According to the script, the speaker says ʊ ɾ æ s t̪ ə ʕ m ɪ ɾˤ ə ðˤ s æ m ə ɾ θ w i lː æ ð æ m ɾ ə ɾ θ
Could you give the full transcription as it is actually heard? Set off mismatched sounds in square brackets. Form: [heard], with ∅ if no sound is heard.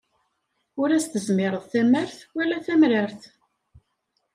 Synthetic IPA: ʊ ɾ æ s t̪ ə [z] m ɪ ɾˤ ə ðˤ [θ] æ m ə ɾ θ w [æ] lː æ [θ] æ m ɾ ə ɾ θ